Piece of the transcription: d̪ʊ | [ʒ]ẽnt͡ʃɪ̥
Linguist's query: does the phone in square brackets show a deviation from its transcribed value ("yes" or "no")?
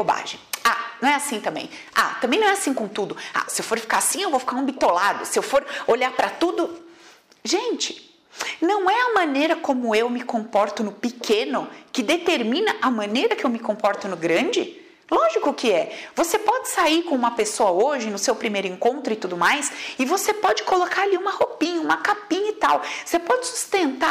no